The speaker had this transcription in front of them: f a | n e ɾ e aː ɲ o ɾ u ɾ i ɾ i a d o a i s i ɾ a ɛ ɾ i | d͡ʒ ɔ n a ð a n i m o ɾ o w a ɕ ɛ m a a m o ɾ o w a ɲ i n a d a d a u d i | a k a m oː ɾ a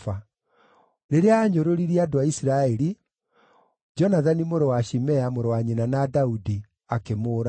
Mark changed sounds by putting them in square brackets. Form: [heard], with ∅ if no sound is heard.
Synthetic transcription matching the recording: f a | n e ɾ e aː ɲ o ɾ [o] ɾ i ɾ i a d o a i s i ɾ a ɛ ɾ i | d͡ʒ ɔ n a ð a n i m o ɾ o w a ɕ [i] m [ɛ] a m o ɾ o w a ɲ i n a [n] a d a u d i | a k [e] m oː ɾ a